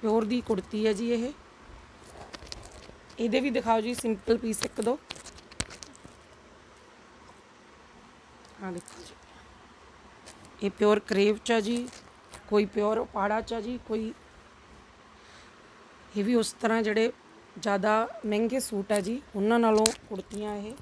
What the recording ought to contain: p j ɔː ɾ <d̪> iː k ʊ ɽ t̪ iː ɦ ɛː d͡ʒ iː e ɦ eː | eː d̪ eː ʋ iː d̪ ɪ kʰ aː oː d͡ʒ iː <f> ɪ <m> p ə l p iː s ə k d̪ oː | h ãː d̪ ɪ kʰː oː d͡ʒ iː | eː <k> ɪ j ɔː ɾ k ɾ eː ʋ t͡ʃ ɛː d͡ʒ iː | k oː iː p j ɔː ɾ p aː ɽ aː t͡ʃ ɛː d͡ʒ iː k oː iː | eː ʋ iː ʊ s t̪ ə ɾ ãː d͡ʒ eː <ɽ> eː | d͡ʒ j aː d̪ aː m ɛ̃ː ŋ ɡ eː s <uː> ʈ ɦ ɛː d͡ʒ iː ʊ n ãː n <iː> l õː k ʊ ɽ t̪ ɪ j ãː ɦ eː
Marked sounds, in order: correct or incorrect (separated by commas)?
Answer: correct, incorrect, correct, incorrect, correct, correct, incorrect